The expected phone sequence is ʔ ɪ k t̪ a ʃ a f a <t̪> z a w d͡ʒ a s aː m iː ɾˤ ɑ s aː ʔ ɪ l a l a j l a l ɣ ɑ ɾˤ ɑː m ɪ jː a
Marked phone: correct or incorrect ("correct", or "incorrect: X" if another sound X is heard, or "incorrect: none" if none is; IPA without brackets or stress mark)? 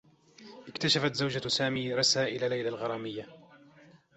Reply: correct